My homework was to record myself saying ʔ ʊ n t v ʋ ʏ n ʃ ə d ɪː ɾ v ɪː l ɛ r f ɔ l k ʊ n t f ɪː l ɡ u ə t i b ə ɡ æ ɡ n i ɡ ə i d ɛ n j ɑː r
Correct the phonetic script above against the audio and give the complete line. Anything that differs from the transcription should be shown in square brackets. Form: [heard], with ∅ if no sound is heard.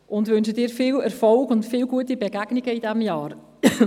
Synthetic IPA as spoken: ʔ ʊ n t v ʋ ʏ n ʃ ə d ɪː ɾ [f] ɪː l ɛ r f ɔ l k ʊ n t f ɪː l ɡ u ə t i b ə ɡ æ ɡ n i ɡ ə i d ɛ [m] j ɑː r